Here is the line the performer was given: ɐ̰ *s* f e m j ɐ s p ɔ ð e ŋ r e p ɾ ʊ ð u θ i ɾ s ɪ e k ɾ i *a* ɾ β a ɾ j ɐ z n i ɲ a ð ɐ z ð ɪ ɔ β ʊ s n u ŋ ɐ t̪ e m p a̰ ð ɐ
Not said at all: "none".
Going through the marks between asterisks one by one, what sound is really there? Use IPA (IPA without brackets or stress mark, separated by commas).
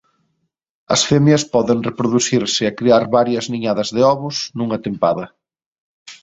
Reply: s, a